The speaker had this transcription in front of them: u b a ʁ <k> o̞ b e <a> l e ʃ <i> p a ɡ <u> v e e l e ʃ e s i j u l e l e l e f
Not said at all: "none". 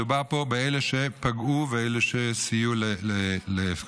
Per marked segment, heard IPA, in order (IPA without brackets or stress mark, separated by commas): p, e, e, u